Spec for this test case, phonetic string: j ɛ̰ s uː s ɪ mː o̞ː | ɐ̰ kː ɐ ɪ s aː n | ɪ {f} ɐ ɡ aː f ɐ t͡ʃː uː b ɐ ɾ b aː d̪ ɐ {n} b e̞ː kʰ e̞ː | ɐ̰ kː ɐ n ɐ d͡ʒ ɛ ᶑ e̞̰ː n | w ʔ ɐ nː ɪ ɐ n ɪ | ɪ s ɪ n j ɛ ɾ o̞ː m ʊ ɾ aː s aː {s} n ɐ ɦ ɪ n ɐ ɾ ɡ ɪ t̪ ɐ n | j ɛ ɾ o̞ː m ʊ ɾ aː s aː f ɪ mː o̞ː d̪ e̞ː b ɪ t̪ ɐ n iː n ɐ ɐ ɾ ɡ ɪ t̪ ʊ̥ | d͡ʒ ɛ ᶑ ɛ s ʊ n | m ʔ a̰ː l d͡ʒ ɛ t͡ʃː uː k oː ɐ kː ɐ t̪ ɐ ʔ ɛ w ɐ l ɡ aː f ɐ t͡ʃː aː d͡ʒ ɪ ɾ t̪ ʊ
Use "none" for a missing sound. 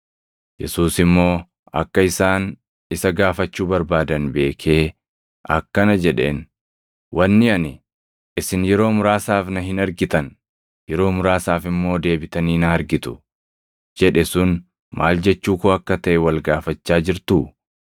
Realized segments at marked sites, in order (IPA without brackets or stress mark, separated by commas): s, n, f